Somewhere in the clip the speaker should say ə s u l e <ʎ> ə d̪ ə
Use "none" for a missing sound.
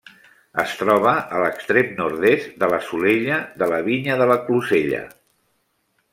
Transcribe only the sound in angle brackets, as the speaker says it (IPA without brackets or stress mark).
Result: ʎ